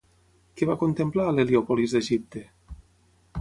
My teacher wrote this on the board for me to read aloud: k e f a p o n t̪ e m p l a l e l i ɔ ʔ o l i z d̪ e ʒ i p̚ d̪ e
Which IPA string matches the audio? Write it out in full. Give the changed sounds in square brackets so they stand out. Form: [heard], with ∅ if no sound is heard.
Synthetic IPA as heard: k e [v] a [k] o n t̪ e m p l a l e l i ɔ [p] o l i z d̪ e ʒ i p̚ [t̪] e